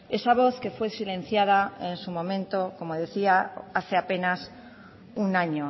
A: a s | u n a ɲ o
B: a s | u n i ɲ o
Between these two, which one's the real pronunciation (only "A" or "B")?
A